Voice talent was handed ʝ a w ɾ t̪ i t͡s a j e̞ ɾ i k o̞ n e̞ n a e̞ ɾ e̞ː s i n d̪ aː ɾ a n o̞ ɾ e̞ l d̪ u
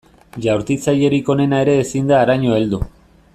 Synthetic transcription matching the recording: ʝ a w ɾ t̪ i t͡s a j e̞ ɾ i k o̞ n e̞ n a e̞ ɾ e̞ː s i n d̪ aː ɾ a ɲ o̞ e̞ l d̪ u